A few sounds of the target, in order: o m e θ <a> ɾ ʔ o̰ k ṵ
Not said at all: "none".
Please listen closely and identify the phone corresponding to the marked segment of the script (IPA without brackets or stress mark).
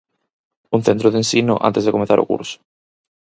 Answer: a